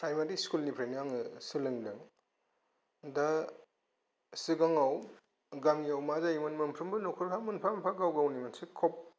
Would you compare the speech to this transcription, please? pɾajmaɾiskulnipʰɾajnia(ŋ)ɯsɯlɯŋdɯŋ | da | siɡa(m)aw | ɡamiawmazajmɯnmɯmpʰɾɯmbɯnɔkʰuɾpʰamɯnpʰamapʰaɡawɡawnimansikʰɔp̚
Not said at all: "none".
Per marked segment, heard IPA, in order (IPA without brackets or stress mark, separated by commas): ŋ, ŋ